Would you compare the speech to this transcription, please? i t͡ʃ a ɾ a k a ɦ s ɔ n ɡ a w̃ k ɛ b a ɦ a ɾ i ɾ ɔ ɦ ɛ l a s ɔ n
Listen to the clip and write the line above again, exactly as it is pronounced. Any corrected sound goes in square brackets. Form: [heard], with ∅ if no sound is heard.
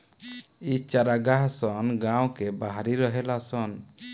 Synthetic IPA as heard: i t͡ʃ a ɾ a [ɡ] a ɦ s ɔ n ɡ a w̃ k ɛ b a ɦ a ɾ i ɾ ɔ ɦ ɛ l a s ɔ n